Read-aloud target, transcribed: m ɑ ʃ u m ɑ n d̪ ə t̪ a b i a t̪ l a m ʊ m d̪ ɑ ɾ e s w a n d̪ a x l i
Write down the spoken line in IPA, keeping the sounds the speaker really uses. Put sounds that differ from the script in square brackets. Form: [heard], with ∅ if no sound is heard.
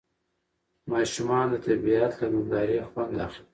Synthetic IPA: m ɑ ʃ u m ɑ n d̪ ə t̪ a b i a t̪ l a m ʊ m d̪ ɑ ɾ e [x] w a n d̪ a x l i